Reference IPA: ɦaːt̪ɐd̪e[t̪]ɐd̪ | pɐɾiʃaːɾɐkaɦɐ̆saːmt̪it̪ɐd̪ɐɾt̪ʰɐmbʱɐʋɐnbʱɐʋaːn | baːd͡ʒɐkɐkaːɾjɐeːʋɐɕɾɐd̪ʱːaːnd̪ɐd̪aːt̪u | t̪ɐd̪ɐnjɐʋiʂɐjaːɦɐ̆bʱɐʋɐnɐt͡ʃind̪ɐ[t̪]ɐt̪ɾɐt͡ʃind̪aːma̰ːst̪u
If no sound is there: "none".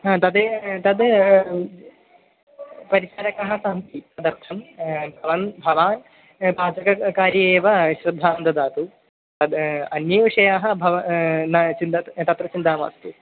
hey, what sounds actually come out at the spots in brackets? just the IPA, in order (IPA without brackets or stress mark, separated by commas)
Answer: t̪, t̪